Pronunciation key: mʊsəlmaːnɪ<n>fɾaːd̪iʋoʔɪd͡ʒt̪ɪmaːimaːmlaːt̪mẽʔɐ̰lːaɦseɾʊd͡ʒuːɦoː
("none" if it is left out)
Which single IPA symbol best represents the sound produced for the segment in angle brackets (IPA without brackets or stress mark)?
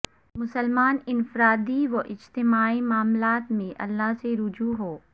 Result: n